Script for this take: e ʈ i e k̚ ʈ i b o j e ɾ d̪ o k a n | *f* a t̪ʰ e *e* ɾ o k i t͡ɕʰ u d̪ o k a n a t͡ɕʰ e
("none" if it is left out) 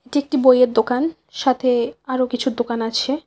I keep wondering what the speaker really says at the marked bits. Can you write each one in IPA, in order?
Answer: ʃ, a

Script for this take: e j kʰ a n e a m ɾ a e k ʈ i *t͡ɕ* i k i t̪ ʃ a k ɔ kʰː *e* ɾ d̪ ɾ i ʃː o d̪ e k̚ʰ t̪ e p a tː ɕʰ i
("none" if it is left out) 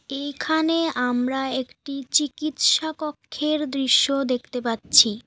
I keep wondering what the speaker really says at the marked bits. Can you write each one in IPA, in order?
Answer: t͡ɕ, e

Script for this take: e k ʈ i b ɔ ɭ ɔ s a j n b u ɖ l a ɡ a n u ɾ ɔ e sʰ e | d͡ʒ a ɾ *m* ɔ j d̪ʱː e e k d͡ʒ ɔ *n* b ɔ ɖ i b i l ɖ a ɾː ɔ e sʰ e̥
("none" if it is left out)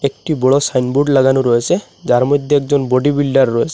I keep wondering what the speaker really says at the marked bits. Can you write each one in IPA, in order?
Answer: m, n

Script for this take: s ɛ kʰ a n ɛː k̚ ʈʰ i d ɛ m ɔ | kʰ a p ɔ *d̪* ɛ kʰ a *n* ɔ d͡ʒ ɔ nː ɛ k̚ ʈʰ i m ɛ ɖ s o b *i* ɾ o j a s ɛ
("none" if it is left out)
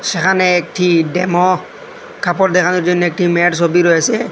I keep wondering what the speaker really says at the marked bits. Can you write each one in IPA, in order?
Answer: d̪, n, i

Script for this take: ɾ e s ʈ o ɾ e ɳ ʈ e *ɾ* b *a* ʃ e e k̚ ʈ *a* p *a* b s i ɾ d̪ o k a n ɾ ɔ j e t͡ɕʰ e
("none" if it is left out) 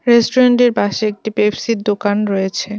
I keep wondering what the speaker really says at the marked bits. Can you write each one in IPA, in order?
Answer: ɾ, a, i, e

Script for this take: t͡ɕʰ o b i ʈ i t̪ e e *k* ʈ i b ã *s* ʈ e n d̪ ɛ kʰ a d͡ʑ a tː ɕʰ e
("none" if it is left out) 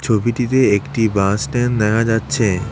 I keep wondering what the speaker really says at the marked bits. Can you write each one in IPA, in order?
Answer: k, s

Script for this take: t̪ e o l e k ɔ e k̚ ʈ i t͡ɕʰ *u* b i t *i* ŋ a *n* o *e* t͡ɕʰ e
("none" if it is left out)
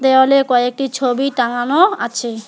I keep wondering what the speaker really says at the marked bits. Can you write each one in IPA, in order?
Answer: o, a, n, a

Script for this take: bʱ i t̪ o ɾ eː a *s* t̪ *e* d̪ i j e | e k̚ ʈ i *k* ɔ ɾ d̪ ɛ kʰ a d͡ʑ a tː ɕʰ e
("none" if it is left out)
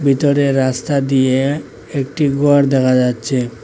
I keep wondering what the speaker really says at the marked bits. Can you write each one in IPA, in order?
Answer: s, a, ɡ

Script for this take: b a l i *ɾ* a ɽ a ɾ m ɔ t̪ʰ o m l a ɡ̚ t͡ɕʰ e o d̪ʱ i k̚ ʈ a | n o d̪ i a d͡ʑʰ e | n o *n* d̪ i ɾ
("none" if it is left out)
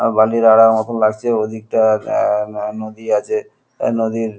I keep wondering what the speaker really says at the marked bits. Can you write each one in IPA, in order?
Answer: ɾ, none

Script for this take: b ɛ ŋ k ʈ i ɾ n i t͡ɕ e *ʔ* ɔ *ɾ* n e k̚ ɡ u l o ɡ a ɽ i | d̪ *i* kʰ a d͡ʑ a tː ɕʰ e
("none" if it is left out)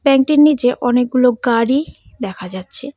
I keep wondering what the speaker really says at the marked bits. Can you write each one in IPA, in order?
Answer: ʔ, none, ɛ

